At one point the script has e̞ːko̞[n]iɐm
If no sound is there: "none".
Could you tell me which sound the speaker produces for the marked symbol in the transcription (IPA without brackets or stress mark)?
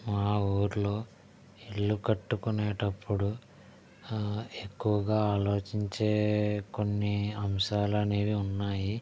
nː